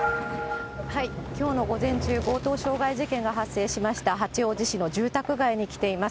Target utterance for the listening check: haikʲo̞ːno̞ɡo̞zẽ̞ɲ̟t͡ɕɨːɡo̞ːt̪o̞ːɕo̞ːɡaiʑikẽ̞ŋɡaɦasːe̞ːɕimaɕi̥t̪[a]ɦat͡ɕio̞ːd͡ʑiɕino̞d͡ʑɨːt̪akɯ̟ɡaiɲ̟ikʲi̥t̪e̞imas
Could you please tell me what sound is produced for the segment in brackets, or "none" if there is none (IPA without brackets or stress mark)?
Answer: a